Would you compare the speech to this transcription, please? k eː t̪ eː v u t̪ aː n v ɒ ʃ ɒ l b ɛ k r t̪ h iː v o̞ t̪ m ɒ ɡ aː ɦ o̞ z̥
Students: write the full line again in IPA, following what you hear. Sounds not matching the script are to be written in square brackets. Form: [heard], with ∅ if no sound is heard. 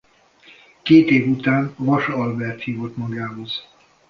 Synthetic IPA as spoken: k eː t̪ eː v u t̪ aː n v ɒ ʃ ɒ l b ɛ [∅] r t̪ h iː v o̞ t̪ m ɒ ɡ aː ɦ o̞ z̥